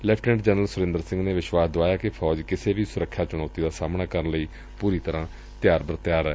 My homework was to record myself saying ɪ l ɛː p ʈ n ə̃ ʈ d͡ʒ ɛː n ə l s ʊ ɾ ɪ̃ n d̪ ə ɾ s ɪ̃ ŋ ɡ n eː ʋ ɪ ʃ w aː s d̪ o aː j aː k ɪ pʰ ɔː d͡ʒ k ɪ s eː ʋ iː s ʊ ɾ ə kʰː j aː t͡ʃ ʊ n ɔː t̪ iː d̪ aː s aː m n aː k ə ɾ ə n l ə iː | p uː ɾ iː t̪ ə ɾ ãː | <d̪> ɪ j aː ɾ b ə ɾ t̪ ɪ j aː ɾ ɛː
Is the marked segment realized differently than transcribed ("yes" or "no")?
yes